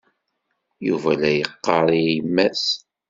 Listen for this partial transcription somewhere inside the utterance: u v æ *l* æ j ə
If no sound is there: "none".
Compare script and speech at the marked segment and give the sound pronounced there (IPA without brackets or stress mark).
l